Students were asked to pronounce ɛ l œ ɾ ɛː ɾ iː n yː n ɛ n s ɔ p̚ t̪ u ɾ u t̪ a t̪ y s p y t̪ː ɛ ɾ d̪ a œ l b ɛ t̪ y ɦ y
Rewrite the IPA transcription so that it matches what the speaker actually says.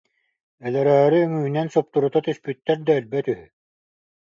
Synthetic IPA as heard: ɛ l ɛ ɾ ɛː ɾ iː ŋ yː n ɛ n s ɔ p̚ t̪ u ɾ u t̪ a t̪ y s p y t̪ː ɛ ɾ d̪ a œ l b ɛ t̪ y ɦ y